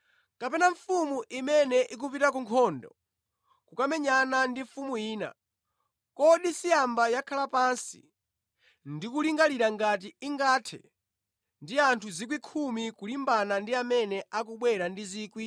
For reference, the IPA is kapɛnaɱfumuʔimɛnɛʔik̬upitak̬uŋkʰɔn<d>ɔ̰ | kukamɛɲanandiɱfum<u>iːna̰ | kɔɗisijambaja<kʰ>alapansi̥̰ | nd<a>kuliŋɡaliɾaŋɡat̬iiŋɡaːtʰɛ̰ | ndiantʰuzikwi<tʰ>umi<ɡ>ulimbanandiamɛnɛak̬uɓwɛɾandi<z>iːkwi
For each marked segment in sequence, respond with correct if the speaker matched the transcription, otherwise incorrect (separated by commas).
correct, correct, correct, incorrect, incorrect, incorrect, correct